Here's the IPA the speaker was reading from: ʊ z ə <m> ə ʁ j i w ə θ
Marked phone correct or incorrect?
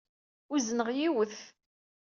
incorrect: n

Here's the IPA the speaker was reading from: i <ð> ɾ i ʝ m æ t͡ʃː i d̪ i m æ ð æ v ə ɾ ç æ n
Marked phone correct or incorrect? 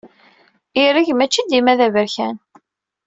incorrect: none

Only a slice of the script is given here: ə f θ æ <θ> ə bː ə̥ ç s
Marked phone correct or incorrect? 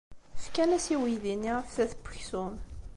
correct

